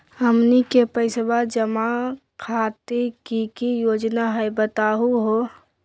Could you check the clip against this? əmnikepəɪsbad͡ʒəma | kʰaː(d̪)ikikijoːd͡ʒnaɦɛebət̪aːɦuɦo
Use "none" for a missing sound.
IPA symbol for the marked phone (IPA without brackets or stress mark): t̪